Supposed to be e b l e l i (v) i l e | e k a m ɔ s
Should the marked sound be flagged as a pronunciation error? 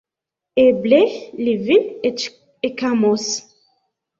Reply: no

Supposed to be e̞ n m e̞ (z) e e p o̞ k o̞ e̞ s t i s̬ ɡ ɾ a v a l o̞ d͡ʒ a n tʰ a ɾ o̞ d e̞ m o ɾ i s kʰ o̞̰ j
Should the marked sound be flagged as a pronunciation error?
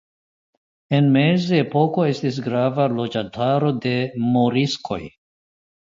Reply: no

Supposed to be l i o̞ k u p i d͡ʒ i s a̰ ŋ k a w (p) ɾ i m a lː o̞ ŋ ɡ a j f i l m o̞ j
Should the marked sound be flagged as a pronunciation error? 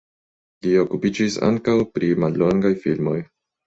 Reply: no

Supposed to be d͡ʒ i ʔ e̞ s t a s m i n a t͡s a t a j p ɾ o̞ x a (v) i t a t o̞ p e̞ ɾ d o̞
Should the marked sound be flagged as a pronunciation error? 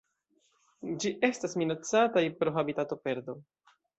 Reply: yes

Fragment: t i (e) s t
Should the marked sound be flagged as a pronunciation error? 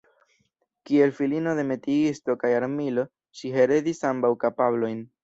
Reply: yes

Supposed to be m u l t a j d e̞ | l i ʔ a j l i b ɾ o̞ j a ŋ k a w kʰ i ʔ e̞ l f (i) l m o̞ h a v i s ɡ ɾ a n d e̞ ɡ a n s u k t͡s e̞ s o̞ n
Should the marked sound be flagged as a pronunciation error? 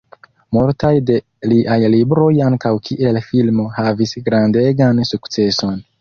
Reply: no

